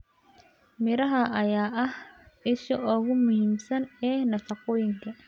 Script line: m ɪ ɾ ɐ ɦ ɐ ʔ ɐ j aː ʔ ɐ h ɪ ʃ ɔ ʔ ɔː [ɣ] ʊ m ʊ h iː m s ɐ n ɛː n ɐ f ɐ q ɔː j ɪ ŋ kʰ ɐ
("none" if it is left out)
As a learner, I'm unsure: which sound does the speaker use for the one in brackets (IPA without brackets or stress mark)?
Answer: ɣ